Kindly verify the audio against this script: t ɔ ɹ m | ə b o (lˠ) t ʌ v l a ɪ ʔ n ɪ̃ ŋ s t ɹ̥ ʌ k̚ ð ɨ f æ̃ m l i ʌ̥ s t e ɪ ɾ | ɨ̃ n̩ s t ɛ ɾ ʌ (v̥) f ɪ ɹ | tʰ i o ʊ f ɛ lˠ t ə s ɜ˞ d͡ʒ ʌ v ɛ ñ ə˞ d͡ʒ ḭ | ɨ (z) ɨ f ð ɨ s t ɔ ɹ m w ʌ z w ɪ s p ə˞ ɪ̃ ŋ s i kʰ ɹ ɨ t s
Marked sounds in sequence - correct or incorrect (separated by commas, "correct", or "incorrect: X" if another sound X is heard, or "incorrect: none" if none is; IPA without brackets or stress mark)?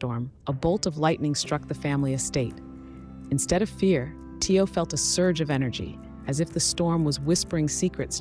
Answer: correct, correct, correct